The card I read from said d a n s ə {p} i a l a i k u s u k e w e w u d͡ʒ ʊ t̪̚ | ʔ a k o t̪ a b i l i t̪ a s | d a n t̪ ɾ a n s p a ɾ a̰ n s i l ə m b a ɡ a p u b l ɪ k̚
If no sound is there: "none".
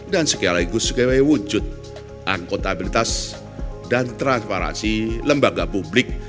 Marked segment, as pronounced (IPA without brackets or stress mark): k